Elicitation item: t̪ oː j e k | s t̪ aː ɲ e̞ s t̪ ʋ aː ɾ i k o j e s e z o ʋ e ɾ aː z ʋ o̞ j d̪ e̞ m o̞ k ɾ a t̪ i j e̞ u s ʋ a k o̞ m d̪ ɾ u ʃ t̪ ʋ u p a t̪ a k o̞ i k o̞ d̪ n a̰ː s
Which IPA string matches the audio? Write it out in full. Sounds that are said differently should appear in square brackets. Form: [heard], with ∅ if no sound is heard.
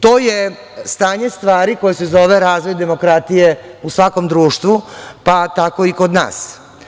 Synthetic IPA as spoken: t̪ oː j e [∅] | s t̪ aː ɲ e̞ s t̪ ʋ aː ɾ i k o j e s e z o ʋ e ɾ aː z ʋ o̞ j d̪ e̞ m o̞ k ɾ a t̪ i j e̞ u s ʋ a k o̞ m d̪ ɾ [uː] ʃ t̪ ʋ u p a t̪ a k o̞ i k o̞ d̪ n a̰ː s

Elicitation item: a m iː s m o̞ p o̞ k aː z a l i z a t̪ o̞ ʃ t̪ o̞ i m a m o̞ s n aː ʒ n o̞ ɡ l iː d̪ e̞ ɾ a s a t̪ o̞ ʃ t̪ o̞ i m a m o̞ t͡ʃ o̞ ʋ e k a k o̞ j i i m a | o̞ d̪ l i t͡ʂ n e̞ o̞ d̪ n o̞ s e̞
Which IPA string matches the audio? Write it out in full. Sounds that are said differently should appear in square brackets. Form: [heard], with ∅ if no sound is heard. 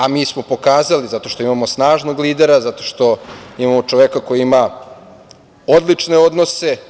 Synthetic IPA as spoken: a m iː s m o̞ p o̞ k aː z a l i z a t̪ o̞ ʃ t̪ o̞ i m a m o̞ s n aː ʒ n o̞ ɡ l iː d̪ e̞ ɾ a [z] a t̪ o̞ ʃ t̪ o̞ i m a m o̞ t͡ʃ o̞ ʋ e k a k o̞ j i i m a | o̞ d̪ l i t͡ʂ n e̞ o̞ d̪ n o̞ s e̞

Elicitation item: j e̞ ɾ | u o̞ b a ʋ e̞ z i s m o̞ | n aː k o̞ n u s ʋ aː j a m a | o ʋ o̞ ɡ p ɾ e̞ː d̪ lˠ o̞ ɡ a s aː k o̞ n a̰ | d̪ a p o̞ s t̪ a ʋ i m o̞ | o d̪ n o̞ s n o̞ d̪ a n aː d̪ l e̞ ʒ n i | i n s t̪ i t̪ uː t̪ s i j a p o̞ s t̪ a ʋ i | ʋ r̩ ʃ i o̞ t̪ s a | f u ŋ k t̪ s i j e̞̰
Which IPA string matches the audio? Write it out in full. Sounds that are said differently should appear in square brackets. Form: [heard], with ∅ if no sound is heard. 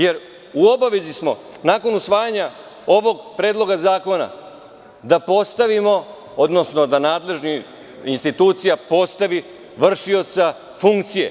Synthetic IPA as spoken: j e̞ ɾ | u o̞ b a ʋ e̞ z i s m o̞ | n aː k o̞ n u s ʋ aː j a [ɲ] a | o ʋ o̞ ɡ p ɾ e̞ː d̪ lˠ o̞ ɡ a [z] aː k o̞ n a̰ | d̪ a p o̞ s t̪ a ʋ i m o̞ | o d̪ n o̞ s n o̞ d̪ a n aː d̪ l e̞ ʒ n i | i n s t̪ i t̪ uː t̪ s i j a p o̞ s t̪ a ʋ i | ʋ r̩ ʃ i o̞ t̪ s a | f u ŋ k t̪ s i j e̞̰

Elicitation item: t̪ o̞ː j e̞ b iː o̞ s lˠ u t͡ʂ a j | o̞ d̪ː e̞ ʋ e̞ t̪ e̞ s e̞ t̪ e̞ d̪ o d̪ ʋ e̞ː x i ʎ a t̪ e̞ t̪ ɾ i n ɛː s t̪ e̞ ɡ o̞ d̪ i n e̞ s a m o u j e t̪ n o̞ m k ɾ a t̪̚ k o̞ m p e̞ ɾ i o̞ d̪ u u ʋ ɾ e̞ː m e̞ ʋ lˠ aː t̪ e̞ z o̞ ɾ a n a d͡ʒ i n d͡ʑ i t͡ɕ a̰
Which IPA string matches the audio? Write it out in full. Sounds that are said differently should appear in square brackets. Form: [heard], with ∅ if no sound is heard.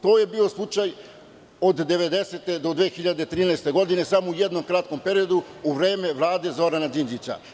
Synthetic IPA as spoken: t̪ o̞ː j e̞ b iː o̞ s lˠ u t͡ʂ a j | o̞ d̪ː e̞ ʋ e̞ [d̪] e̞ s e̞ t̪ e̞ d̪ o d̪ ʋ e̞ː x i ʎ a [d̪] e̞ t̪ ɾ [iː] n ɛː s t̪ e̞ ɡ o̞ d̪ i n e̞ s a m o u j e [d̪] n o̞ m k ɾ a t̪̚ k o̞ m p e̞ ɾ i o̞ d̪ u u ʋ ɾ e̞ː m e̞ ʋ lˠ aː [d̪] e̞ z o̞ ɾ a n a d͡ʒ i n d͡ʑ i t͡ɕ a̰

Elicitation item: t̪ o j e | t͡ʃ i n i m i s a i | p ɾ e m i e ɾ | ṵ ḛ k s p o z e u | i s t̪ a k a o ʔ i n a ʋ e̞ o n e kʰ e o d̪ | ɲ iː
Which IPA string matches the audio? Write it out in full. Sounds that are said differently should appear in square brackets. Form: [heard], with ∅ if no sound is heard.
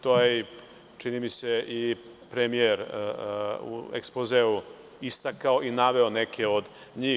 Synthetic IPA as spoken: t̪ o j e | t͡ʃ i n i m i s [e] i | p ɾ e m i e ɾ | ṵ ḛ k s p o z e u | i s t̪ a k a o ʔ i n a ʋ e̞ o n e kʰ e o d̪ | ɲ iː

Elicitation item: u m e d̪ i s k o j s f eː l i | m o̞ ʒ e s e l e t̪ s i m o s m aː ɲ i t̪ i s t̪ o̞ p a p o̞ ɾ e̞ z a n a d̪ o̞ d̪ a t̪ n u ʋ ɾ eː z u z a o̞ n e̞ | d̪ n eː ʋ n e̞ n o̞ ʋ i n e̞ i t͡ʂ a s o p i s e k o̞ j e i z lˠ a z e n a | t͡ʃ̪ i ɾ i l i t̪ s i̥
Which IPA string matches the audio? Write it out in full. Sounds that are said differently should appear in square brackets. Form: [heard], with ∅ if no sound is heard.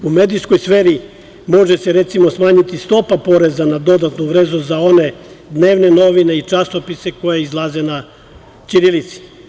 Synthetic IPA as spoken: u m e d̪ i s k o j s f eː [ɾ] i | m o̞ ʒ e s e [ɾ] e t̪ s i m o s m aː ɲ i t̪ i s t̪ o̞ p a p o̞ ɾ e̞ z a n a d̪ o̞ d̪ a t̪ n u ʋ ɾ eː z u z a o̞ n e̞ | d̪ n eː ʋ n e̞ n o̞ ʋ i n e̞ i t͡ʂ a s o p i s e k o̞ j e i z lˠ a z e n a | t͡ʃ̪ i ɾ i l i t̪ s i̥

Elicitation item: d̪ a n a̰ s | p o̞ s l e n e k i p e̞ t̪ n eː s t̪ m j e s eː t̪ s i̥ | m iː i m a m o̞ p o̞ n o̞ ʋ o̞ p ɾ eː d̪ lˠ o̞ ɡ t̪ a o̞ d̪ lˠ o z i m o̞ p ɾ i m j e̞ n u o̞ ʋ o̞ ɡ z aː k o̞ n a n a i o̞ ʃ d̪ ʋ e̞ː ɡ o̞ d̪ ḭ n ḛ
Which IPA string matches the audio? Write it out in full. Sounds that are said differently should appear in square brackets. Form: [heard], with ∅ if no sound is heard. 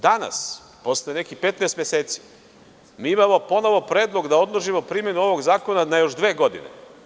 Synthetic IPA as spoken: d̪ a n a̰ s | p o̞ s l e n e k i p e̞ t̪ n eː s t̪ m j e s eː t̪ s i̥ | m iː i m a m o̞ p o̞ n o̞ ʋ o̞ p ɾ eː d̪ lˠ o̞ ɡ [d̪] a o̞ d̪ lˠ o [ʒ] i m o̞ p ɾ i m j e̞ n u o̞ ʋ o̞ ɡ z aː k o̞ n a n a [j] o̞ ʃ d̪ ʋ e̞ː ɡ o̞ d̪ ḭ n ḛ

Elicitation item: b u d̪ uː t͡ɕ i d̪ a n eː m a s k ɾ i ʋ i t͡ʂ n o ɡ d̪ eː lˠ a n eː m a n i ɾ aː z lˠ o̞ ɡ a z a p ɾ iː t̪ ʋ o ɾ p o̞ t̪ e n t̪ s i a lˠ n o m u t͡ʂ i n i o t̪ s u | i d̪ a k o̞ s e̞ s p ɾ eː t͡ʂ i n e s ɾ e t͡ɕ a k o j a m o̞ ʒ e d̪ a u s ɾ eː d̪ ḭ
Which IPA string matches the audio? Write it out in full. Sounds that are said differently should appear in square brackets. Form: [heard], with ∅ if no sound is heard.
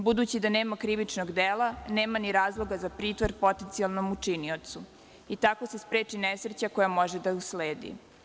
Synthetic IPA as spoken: b u d̪ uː t͡ɕ i d̪ a n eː m a [∅] k ɾ i ʋ i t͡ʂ n o ɡ d̪ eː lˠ a n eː m a n i ɾ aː z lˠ o̞ ɡ a z a p ɾ iː t̪ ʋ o ɾ p o̞ t̪ e n t̪ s i a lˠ n o m u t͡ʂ i n i o t̪ s u | i [t̪] a k o̞ s e̞ s p ɾ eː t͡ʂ i n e s ɾ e t͡ɕ a k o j a m o̞ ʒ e d̪ a u s [l] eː d̪ ḭ

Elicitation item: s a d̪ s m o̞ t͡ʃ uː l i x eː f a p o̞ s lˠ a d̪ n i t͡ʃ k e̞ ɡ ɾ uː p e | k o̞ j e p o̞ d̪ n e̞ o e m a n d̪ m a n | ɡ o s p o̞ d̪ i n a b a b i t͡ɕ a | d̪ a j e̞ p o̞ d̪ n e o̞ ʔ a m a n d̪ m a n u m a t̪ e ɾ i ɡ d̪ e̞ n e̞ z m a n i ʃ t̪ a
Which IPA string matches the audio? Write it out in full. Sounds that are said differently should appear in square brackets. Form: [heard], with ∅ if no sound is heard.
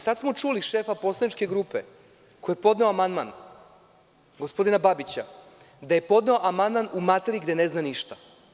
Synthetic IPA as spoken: s a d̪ s m o̞ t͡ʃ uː l i [ʃ] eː f a p o̞ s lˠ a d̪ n i t͡ʃ k e̞ ɡ ɾ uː p e | k o̞ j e p o̞ d̪ n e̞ o [a] m a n d̪ m a n | ɡ o s p o̞ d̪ i n a b a b i t͡ɕ a | d̪ a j e̞ p o̞ d̪ n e o̞ ʔ a m a n d̪ m a n u m a t̪ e ɾ i ɡ d̪ e̞ n e̞ z [n] a n i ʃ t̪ a

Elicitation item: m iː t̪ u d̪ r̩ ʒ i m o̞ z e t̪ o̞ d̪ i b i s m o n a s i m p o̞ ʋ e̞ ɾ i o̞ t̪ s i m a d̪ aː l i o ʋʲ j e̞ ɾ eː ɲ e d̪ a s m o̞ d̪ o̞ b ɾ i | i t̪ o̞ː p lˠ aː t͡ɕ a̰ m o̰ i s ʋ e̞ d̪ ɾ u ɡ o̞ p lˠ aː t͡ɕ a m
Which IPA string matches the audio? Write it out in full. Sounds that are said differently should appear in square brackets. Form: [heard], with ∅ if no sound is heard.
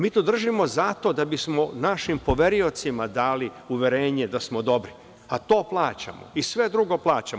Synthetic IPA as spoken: m iː t̪ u d̪ r̩ ʒ i m o̞ z [a] t̪ o̞ d̪ [a] b i s m o n a [ʃ] i m p o̞ ʋ e̞ ɾ i o̞ t̪ s i m a d̪ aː l i [u] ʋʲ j e̞ ɾ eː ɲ e d̪ a s m o̞ d̪ o̞ b ɾ i | [a] t̪ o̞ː p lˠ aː t͡ɕ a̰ m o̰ i s ʋ e̞ d̪ ɾ u ɡ o̞ p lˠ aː t͡ɕ a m

